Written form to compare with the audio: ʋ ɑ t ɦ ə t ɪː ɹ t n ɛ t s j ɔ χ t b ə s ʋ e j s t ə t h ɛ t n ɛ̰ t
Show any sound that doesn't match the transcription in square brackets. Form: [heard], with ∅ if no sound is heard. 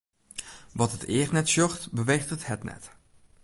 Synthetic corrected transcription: ʋ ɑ t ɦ ə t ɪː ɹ t n ɛ t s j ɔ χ t b ə [∅] ʋ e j [χ] t ə t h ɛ t n ɛ̰ t